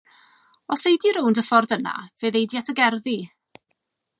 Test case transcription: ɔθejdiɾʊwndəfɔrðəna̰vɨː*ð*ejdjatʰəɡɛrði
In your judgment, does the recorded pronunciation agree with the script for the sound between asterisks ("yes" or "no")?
yes